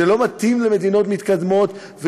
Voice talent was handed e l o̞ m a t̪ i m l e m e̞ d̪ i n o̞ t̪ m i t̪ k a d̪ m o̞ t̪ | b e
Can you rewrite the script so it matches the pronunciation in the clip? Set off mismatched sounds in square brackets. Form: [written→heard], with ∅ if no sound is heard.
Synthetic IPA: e l o̞ m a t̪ i m l e m e̞ d̪ i n o̞ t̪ m i t̪ k a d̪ m o̞ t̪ | [b→v] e